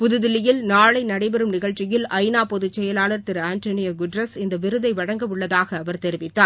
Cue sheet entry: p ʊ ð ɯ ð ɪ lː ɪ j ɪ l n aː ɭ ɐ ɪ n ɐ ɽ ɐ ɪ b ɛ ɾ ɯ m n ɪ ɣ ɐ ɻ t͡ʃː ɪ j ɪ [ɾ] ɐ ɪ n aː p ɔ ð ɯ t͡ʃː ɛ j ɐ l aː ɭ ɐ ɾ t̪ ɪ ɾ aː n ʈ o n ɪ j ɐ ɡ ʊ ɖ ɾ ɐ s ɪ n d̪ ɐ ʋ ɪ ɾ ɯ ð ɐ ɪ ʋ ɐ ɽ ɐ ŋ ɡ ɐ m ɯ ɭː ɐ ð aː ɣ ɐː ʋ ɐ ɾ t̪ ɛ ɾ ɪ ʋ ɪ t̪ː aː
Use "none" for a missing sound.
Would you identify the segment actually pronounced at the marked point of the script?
l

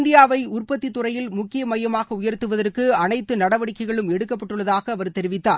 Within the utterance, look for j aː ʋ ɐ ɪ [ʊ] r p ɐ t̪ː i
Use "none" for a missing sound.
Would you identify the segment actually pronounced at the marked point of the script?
ʊ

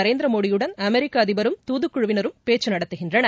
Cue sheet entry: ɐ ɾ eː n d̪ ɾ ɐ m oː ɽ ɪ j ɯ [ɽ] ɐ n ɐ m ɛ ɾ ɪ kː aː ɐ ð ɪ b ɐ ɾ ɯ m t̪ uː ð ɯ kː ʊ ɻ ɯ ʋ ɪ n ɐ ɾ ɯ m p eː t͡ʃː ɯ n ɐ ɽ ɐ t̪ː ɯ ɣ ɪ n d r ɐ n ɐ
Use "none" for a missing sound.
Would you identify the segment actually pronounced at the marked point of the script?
ɽ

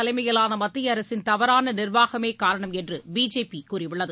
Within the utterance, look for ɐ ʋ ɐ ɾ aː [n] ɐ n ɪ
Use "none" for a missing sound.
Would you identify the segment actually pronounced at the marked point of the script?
n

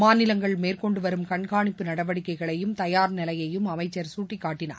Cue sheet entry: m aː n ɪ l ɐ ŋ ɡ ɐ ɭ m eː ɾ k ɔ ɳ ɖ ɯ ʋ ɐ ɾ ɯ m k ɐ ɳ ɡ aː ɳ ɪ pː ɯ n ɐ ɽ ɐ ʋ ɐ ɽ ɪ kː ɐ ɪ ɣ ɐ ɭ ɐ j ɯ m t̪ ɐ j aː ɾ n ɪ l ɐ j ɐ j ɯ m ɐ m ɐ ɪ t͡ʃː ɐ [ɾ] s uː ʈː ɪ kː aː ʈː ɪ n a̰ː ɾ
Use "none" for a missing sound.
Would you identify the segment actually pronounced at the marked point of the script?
ɾ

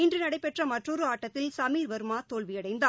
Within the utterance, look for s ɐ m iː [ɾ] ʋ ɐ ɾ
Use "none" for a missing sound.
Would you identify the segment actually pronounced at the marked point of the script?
ɾ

